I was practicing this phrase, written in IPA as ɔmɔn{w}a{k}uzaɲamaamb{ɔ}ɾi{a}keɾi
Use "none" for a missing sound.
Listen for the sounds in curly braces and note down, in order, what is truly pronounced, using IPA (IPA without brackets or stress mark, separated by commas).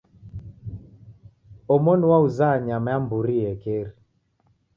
w, none, u, ɛ